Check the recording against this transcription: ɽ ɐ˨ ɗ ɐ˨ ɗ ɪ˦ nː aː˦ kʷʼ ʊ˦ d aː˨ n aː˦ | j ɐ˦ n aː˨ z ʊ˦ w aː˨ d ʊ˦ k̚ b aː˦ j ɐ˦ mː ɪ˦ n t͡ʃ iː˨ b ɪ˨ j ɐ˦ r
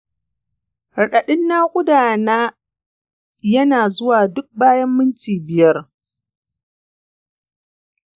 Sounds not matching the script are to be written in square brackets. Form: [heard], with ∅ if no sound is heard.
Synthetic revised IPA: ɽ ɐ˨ ɗ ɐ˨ ɗ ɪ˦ nː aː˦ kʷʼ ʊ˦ d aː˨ n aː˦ | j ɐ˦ n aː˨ z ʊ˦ w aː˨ d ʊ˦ k̚ b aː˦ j ɐ˦ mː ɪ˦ n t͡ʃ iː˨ b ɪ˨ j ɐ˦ r

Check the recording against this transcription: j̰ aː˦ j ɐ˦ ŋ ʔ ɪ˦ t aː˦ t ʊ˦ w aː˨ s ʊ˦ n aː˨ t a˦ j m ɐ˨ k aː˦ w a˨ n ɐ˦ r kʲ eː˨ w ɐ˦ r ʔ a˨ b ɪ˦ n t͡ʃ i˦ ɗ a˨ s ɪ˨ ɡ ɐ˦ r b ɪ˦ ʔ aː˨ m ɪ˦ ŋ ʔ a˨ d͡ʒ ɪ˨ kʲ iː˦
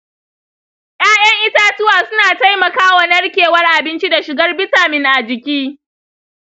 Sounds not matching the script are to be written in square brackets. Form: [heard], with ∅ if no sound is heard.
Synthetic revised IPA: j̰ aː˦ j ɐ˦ ŋ ʔ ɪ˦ t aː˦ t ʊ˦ w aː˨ s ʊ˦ n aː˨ t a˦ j m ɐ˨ k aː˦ w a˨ n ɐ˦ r kʲ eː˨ w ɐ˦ r ʔ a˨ b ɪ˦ n t͡ʃ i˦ [d] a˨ [ʃ] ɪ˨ ɡ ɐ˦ r b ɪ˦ [t] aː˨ m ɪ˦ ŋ ʔ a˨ d͡ʒ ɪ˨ kʲ iː˦

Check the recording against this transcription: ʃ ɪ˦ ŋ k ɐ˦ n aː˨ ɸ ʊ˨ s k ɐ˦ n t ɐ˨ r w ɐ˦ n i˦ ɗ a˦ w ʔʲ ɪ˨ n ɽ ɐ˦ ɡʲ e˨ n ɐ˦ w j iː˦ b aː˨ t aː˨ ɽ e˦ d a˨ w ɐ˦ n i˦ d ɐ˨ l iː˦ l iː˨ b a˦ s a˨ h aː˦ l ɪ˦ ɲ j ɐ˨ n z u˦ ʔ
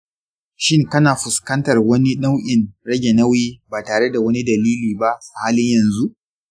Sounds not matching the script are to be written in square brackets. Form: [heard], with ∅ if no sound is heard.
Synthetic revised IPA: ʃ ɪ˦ ŋ k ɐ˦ n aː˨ ɸ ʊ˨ s k ɐ˦ n t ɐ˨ r w ɐ˦ n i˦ ɗ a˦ w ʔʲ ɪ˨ n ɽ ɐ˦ ɡʲ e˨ n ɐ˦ w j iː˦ b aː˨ t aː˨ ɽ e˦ d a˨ w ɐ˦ n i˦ d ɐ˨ l iː˦ l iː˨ b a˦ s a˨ h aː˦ l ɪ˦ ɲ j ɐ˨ n z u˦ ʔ

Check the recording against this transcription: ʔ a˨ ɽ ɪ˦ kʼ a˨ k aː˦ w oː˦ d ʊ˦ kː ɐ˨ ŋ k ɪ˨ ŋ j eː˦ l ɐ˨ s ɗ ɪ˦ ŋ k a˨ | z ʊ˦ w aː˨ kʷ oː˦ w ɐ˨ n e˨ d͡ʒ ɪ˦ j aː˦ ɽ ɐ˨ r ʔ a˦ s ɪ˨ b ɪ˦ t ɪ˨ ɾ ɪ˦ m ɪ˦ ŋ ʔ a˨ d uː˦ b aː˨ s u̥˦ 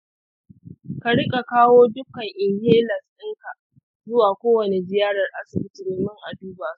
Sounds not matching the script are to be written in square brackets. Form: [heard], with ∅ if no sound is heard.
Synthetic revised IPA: [k] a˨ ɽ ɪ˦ kʼ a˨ k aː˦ w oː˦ d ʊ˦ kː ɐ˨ ŋ [ʔ] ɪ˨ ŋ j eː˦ l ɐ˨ s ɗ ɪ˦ ŋ k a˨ | z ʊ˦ w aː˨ kʷ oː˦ w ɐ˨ n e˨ d͡ʒ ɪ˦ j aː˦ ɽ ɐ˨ r ʔ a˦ s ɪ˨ b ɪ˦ t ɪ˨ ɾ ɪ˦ m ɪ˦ ŋ ʔ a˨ d uː˦ b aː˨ s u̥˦

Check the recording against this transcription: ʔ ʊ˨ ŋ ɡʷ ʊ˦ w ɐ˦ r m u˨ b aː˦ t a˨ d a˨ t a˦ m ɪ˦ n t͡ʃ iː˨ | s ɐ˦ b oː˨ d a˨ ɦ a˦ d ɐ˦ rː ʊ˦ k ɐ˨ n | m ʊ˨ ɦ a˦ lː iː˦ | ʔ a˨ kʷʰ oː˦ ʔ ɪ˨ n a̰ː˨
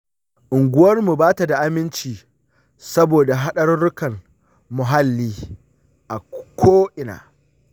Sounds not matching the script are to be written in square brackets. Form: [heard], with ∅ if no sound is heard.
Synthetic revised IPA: ʔ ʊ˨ ŋ ɡʷ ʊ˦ w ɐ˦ r m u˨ b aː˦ t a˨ d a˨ [ʔ] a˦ m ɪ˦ n t͡ʃ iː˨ | s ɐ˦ b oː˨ d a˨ ɦ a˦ [ɗ] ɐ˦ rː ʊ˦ k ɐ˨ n | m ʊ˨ ɦ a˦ lː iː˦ | ʔ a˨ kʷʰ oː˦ ʔ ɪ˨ n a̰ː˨

